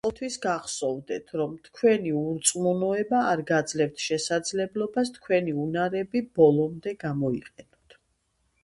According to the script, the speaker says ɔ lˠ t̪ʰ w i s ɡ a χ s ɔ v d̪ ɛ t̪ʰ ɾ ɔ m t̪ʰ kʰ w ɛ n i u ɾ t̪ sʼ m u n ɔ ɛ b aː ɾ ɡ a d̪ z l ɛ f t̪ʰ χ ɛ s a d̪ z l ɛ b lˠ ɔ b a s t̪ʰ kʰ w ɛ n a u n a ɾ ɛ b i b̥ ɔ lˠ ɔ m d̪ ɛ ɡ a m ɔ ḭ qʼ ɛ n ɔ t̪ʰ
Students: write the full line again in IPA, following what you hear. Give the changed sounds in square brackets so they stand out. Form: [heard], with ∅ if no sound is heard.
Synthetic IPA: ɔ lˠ t̪ʰ w i s ɡ a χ s ɔ v d̪ ɛ t̪ʰ ɾ ɔ m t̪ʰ kʰ w ɛ n i u ɾ t̪ sʼ m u n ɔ ɛ b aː ɾ ɡ a d̪ z l ɛ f t̪ʰ [ʃ] ɛ s a d̪ z l ɛ b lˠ ɔ b a s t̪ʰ kʰ w ɛ n [i] u n a ɾ ɛ b i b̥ ɔ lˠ ɔ m d̪ ɛ ɡ a m ɔ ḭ qʼ ɛ n ɔ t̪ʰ